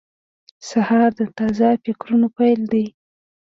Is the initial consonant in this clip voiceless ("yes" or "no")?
yes